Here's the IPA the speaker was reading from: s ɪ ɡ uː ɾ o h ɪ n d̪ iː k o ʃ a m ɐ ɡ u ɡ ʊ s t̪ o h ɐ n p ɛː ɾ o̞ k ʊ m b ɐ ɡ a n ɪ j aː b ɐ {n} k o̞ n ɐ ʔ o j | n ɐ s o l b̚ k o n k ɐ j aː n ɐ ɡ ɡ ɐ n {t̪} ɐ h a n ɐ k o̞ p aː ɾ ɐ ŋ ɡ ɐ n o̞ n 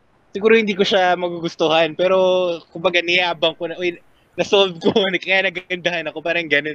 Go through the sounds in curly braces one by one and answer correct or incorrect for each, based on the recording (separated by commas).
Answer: incorrect, incorrect